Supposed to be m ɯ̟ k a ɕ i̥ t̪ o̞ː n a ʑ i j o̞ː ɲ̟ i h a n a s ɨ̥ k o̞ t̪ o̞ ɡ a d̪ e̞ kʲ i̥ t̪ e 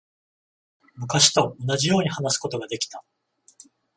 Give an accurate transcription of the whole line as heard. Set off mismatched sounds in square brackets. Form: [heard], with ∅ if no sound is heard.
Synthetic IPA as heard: m ɯ̟ k a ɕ i̥ t̪ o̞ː n a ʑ i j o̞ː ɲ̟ i h a n a s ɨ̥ k o̞ t̪ o̞ ɡ a d̪ e̞ kʲ i̥ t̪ [a]